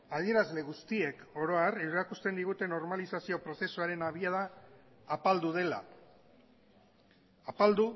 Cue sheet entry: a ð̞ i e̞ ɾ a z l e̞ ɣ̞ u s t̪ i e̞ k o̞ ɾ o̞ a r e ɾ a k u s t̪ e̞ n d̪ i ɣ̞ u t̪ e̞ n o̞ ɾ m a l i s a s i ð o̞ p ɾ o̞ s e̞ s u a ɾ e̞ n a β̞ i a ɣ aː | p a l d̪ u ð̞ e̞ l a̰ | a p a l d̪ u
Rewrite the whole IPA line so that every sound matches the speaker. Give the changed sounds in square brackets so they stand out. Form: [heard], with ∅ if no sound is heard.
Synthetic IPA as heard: a ð̞ i e̞ ɾ a z l e̞ ɣ̞ u s t̪ i e̞ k o̞ ɾ o̞ a r e ɾ a k u s t̪ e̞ n d̪ i ɣ̞ u t̪ e̞ n o̞ ɾ m a l i s a s i [∅] o̞ p ɾ o̞ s e̞ s u a ɾ e̞ n a β̞ i a [ð] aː | p a l d̪ u ð̞ e̞ l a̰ | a p a l d̪ u

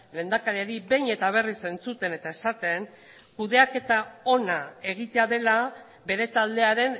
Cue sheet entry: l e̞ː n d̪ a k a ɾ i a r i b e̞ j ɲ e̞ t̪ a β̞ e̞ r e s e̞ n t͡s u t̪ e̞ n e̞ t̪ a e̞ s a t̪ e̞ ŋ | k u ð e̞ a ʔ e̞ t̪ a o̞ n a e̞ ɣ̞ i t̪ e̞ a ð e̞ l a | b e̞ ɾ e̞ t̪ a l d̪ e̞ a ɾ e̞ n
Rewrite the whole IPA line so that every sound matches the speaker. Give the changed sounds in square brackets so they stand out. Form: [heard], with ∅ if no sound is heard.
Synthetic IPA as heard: l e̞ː n d̪ a k a ɾ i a [ɾ] i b e̞ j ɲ e̞ t̪ a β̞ e̞ r [i] s e̞ n t͡s u t̪ e̞ n e̞ t̪ a e̞ s a t̪ e̞ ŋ | k u ð e̞ a [k] e̞ t̪ a o̞ n a e̞ ɣ̞ i t̪ e̞ a ð e̞ l a | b e̞ ɾ e̞ t̪ a l d̪ e̞ a ɾ e̞ n

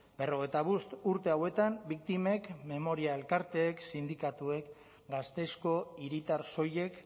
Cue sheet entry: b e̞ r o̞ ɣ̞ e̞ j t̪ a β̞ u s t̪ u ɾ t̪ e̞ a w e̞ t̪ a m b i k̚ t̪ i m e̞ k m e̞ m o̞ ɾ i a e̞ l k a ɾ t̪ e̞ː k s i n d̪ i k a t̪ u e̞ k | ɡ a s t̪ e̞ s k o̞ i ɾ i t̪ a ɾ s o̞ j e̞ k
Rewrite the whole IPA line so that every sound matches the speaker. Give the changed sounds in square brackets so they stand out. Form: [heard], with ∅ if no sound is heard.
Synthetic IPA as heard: b e̞ r o̞ ɣ̞ e̞ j t̪ a β̞ u s t̪ u ɾ t̪ e̞ a w e̞ t̪ a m b i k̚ t̪ i m e̞ k m e̞ m o̞ ɾ i a e̞ l k a ɾ t̪ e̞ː k s i n d̪ i k a t̪ u e̞ k | ɡ a s t̪ e̞ s k o̞ i ɾ i t̪ a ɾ s o̞ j e̞ k

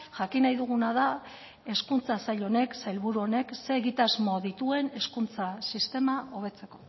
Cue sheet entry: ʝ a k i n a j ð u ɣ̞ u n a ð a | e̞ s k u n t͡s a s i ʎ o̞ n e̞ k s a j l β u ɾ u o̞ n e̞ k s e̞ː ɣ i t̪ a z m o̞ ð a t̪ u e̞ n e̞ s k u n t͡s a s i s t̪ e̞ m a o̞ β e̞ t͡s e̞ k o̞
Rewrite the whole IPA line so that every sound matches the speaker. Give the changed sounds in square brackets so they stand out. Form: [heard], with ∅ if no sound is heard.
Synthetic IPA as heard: ʝ a k i n a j ð u ɣ̞ u n a ð a | e̞ s k u n t͡s a s [a] ʎ o̞ n e̞ k s a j l β u ɾ u o̞ n e̞ k s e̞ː ɣ i t̪ a z m o̞ ð [i] t̪ u e̞ n e̞ s k u n t͡s a s i s t̪ e̞ m a o̞ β e̞ t͡s e̞ k o̞

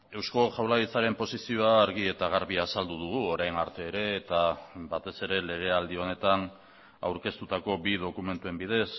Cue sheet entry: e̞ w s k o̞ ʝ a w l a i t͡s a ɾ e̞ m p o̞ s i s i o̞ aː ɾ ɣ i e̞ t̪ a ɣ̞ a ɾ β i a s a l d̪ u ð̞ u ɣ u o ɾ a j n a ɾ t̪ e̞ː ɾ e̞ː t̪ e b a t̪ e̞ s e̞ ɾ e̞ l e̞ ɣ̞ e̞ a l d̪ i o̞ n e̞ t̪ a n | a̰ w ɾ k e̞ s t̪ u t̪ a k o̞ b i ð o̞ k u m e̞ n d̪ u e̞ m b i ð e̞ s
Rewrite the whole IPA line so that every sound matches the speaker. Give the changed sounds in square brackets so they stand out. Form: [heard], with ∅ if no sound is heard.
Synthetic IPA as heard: e̞ w s k o̞ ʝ a w l a i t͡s a ɾ e̞ m p o̞ s i s i o̞ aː ɾ ɣ i e̞ t̪ a ɣ̞ a ɾ β i a s a l d̪ u ð̞ u ɣ u o ɾ a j n a ɾ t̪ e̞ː ɾ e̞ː t̪ [a] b a t̪ e̞ s e̞ ɾ e̞ l e̞ ɣ̞ e̞ a l d̪ i o̞ n e̞ t̪ a n | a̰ w ɾ k e̞ s t̪ u t̪ a k o̞ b i ð o̞ k u m e̞ n [t̪] u e̞ m b i ð e̞ s

